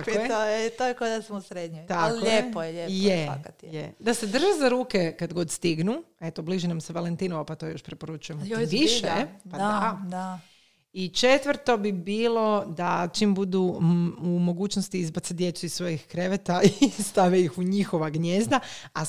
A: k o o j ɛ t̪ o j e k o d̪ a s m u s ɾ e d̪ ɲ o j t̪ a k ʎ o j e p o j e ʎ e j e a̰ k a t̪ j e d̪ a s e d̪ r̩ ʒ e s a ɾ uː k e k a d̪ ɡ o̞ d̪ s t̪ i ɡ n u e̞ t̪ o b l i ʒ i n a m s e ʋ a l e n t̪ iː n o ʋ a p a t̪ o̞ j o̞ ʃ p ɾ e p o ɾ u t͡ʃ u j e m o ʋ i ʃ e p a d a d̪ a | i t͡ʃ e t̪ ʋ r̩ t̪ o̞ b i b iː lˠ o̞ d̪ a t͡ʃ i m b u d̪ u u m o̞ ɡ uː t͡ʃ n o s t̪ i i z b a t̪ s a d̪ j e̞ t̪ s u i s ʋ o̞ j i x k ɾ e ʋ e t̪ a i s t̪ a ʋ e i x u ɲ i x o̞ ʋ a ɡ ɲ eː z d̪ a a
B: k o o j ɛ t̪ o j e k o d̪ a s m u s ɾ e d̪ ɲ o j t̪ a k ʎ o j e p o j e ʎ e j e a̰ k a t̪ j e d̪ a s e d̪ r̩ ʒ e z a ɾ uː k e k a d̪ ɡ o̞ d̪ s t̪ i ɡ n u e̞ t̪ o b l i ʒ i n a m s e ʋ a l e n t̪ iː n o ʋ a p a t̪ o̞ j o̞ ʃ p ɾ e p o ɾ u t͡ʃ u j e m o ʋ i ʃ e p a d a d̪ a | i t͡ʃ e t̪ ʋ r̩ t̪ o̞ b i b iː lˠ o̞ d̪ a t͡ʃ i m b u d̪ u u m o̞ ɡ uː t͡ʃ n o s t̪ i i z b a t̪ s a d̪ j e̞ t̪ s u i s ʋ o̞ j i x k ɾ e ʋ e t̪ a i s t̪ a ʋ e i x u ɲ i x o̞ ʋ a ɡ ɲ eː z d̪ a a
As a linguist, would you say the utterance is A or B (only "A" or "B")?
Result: B